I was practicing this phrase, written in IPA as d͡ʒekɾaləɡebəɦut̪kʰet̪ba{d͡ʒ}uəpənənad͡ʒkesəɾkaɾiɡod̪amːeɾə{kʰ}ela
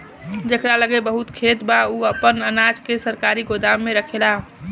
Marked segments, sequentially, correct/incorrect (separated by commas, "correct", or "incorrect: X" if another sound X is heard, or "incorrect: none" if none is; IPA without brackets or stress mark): incorrect: none, correct